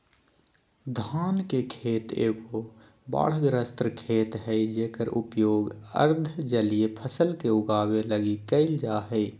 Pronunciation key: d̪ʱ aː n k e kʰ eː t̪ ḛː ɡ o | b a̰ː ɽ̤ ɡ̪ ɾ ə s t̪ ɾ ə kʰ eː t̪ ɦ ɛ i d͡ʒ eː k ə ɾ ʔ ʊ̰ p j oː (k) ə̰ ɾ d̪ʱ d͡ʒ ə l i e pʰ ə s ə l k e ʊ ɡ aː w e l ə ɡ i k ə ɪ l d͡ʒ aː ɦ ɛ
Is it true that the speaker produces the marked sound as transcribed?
no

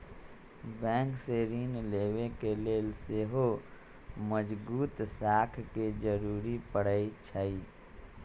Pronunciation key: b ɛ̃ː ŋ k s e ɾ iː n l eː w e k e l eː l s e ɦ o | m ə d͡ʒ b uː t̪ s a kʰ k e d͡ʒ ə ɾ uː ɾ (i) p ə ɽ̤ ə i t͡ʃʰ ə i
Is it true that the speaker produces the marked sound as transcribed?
yes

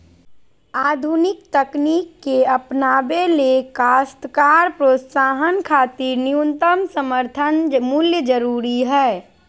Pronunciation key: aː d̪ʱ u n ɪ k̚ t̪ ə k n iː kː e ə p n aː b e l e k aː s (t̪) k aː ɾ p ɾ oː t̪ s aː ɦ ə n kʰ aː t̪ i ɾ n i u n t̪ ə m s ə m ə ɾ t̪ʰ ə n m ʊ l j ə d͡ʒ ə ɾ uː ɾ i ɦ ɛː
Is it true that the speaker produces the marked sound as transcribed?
yes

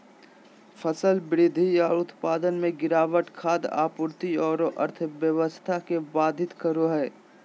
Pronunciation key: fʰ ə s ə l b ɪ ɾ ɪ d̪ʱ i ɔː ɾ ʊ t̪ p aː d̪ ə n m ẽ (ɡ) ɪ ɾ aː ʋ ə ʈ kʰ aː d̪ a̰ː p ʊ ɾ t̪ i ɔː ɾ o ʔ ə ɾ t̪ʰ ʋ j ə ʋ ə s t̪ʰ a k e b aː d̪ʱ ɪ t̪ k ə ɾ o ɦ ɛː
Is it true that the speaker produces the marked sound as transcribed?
yes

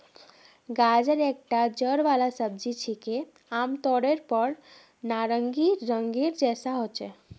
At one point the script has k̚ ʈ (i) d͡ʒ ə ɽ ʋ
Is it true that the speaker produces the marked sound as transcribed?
no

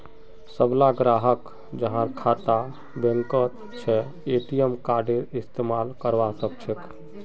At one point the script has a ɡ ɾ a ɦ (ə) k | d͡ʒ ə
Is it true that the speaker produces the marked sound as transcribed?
yes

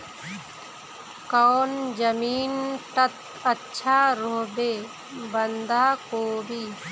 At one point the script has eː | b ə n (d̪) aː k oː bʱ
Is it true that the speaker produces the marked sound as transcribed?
yes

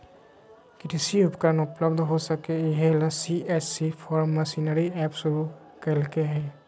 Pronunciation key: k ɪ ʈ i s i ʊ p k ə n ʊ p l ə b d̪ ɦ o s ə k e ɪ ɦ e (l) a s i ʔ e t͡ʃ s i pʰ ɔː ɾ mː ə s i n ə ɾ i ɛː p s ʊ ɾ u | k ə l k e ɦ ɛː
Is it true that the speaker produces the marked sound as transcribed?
yes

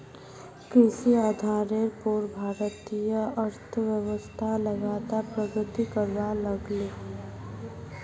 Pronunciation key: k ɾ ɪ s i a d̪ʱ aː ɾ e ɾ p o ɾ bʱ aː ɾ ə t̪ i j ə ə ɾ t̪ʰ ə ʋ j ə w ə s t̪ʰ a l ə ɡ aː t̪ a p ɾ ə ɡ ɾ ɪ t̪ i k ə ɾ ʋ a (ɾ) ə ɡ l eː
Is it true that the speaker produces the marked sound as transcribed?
no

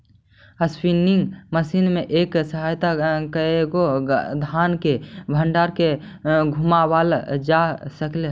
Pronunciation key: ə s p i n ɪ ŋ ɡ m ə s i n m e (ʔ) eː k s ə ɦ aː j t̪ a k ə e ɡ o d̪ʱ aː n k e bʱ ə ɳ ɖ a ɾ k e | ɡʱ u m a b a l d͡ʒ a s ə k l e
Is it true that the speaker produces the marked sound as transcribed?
yes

